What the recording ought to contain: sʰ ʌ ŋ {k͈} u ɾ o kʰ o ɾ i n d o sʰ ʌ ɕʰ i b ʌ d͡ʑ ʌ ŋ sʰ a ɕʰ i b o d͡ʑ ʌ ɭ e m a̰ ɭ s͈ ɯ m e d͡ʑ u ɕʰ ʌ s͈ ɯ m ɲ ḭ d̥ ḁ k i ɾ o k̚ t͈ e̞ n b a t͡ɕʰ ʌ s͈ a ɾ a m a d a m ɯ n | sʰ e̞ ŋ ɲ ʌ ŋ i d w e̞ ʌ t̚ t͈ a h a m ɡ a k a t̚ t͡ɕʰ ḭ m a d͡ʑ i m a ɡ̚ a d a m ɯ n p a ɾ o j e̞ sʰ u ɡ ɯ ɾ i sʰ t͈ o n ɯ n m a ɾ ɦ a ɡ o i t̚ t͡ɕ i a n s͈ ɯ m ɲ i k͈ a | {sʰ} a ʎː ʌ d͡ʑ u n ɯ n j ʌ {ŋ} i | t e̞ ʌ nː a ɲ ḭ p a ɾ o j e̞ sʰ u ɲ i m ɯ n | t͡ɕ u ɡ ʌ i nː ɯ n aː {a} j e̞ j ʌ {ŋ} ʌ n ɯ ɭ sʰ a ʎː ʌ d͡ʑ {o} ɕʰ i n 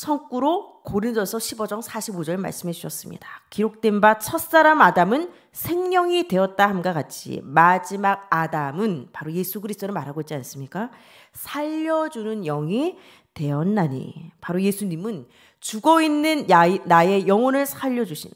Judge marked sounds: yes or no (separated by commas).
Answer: yes, yes, yes, yes, yes, no